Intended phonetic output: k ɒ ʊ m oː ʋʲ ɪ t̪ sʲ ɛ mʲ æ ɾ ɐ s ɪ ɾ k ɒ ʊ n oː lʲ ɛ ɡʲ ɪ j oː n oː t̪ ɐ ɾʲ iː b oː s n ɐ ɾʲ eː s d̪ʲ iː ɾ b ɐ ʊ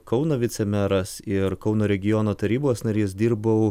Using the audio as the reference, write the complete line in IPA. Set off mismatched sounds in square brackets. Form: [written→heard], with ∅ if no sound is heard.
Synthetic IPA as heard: k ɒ ʊ [m→n] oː ʋʲ ɪ t̪ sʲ ɛ mʲ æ ɾ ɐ s ɪ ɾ k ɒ ʊ n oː [lʲ→ɾʲ] ɛ ɡʲ ɪ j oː n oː t̪ ɐ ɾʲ iː b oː s n ɐ ɾʲ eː s d̪ʲ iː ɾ b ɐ ʊ